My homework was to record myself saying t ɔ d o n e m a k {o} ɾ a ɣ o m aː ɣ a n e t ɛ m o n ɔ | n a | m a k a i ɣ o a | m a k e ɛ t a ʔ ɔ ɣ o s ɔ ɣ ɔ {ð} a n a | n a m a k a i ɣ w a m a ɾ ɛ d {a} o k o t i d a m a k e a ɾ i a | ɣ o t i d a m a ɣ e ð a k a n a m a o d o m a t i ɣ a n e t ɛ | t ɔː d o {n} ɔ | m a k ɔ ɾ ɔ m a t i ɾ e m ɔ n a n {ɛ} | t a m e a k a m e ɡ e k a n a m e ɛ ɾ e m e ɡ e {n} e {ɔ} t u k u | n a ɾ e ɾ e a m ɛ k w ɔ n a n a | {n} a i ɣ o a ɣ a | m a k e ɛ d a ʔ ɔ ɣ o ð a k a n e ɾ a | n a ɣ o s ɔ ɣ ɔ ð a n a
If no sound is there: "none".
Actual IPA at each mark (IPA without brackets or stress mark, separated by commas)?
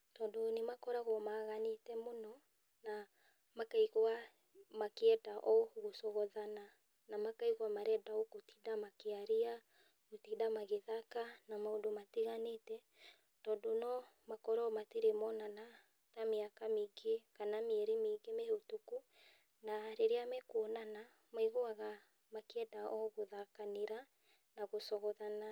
ɔ, ð, a, n, a, m, o, m